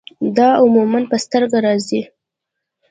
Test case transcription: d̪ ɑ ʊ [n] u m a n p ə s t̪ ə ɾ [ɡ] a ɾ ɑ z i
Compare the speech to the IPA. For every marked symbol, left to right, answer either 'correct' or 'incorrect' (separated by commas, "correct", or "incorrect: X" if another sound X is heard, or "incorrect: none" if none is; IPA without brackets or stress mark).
incorrect: m, correct